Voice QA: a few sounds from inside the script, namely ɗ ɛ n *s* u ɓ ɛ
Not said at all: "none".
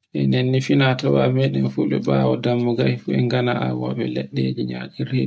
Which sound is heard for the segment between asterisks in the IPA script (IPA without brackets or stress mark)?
f